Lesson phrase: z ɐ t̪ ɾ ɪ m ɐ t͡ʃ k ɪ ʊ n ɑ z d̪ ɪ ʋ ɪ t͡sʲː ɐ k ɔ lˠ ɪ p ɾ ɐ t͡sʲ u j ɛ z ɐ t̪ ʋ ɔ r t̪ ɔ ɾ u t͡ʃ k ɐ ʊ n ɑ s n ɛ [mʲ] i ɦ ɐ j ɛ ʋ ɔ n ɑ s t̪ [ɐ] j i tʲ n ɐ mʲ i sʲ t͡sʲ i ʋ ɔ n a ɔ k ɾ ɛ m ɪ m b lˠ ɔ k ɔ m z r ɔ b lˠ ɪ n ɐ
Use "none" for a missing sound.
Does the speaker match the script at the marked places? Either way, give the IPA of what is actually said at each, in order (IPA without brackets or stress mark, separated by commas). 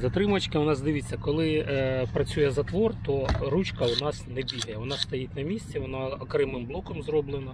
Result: bʲ, ɐ